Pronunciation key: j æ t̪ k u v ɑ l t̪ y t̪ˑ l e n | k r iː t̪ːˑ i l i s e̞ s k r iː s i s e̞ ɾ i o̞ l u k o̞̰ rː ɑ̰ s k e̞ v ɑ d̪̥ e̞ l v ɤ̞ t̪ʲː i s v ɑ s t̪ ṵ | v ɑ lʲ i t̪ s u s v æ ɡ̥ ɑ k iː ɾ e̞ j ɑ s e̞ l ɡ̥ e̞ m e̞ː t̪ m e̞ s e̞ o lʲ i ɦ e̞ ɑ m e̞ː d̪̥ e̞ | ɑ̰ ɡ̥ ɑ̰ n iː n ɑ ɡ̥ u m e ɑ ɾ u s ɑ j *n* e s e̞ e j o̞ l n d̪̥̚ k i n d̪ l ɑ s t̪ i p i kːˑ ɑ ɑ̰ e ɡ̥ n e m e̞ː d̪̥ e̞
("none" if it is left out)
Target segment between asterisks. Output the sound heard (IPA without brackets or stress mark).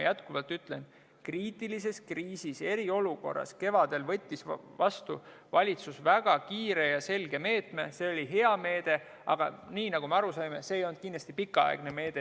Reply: m